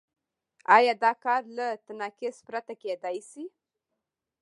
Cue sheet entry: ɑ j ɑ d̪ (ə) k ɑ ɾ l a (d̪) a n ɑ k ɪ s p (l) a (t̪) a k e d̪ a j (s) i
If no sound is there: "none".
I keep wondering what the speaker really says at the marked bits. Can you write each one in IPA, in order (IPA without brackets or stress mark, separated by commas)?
ɑ, t̪, ɾ, t̪, s